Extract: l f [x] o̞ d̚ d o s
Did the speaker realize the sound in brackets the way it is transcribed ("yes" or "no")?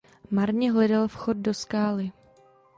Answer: yes